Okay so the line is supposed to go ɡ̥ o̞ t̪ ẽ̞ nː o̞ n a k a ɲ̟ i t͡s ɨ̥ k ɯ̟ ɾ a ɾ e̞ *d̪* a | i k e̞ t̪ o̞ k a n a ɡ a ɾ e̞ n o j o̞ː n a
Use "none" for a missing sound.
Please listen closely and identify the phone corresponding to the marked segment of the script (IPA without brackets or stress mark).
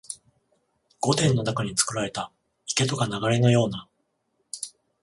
t̪